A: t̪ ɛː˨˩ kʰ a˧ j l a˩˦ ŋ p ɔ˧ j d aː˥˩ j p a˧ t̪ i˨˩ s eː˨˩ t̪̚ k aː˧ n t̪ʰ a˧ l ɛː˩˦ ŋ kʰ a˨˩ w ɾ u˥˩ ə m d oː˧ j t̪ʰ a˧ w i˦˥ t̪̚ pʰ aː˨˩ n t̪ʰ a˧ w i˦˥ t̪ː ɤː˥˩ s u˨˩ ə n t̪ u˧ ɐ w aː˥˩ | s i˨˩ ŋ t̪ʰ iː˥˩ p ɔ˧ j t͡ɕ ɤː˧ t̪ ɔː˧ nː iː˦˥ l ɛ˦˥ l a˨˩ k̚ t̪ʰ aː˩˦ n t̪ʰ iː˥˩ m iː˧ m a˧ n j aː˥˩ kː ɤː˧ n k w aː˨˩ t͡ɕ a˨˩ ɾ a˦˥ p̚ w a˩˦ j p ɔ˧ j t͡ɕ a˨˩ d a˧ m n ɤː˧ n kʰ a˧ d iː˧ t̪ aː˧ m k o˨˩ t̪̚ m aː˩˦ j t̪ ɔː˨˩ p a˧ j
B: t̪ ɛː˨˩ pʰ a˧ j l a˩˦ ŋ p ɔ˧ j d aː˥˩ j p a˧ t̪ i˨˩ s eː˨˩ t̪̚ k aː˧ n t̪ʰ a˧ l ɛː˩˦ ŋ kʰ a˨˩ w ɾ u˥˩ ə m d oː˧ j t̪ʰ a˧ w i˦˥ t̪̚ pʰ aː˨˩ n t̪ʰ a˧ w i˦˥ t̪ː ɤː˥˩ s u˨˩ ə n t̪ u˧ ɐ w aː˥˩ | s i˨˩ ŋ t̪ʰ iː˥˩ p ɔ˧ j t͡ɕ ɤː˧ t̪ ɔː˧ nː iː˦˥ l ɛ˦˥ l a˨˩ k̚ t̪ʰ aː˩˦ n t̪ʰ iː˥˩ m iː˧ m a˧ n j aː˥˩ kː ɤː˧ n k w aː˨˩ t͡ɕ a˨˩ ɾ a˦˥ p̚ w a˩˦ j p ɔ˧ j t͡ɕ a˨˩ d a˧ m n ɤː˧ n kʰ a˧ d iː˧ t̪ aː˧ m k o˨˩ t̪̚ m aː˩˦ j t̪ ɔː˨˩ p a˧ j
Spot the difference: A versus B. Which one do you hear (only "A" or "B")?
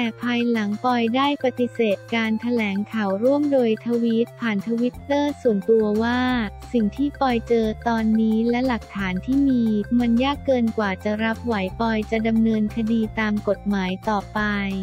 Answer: B